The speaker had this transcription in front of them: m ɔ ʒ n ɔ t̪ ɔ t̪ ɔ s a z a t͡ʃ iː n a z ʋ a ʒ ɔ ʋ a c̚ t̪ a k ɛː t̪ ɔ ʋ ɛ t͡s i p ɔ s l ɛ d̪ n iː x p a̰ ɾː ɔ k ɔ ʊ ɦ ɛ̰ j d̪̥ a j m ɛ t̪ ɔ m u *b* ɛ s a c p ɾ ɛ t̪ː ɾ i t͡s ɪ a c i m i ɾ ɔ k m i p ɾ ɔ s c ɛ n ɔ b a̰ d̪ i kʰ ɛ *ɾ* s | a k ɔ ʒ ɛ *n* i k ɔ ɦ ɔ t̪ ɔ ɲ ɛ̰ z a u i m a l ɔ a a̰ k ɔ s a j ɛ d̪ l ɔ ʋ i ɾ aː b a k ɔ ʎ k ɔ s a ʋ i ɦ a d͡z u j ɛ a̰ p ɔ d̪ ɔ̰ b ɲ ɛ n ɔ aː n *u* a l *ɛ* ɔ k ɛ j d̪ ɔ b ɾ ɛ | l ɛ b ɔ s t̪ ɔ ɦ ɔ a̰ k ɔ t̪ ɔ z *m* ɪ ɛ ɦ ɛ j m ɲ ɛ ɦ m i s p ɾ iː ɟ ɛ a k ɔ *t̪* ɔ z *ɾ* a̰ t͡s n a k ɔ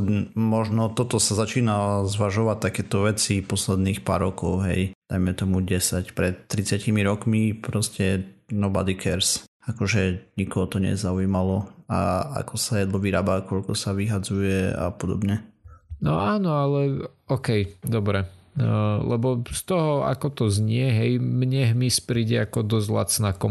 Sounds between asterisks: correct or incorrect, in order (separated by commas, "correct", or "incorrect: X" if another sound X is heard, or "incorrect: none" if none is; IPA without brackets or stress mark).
incorrect: ɟ, correct, incorrect: ɲ, incorrect: ɔ, correct, incorrect: ɲ, incorrect: d̪, incorrect: l